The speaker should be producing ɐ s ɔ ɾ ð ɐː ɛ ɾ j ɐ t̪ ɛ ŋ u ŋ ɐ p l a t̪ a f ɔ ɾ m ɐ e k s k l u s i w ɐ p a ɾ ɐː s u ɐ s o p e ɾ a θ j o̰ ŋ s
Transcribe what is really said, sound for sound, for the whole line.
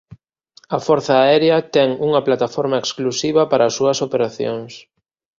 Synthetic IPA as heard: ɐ f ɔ ɾ θ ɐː ɛ ɾ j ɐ t̪ ɛ ŋ u ŋ ɐ p l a t̪ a f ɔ ɾ m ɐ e k s k l u s i β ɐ p a ɾ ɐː s u ɐ s o p e ɾ a θ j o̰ ŋ s